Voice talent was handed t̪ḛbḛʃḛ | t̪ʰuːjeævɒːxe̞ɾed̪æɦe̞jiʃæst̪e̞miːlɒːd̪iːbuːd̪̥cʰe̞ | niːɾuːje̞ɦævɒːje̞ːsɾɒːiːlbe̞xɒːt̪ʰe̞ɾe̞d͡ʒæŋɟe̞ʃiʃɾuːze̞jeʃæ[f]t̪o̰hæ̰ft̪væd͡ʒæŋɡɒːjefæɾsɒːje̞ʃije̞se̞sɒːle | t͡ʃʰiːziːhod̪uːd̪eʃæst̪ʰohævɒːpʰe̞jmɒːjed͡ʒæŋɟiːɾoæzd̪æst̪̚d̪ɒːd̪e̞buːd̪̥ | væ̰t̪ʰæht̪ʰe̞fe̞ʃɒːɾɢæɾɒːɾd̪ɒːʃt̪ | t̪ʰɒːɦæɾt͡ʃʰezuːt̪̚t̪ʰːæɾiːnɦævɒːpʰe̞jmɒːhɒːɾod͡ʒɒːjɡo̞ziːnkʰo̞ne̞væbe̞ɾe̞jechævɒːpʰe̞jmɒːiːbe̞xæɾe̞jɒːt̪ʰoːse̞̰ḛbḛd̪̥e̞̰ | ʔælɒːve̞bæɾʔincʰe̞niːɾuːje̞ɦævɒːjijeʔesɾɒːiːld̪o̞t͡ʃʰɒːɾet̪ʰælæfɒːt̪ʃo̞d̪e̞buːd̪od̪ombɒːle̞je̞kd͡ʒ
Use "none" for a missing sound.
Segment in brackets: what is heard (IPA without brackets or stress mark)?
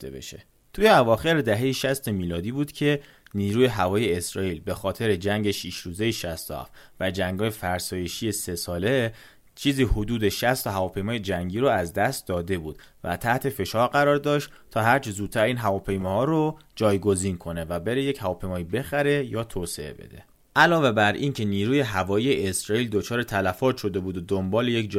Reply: s